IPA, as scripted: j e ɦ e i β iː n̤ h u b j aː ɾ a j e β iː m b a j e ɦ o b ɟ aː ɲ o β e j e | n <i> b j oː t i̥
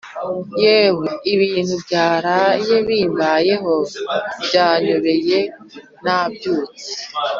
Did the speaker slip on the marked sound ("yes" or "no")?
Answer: yes